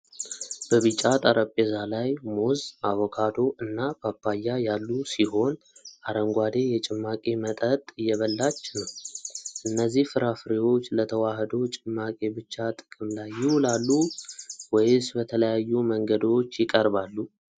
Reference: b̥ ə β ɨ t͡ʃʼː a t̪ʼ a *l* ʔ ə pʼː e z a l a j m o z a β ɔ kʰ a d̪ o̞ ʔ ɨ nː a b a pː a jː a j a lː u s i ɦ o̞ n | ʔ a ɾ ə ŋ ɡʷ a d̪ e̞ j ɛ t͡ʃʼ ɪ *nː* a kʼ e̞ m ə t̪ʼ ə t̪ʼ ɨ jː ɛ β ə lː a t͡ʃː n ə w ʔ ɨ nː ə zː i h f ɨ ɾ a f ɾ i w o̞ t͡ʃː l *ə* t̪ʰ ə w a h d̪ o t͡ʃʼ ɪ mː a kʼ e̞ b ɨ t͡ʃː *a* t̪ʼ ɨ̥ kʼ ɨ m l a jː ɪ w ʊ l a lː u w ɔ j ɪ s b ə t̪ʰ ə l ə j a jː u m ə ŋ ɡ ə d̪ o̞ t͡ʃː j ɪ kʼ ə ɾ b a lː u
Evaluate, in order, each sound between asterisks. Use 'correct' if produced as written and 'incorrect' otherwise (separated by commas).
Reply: incorrect, incorrect, correct, correct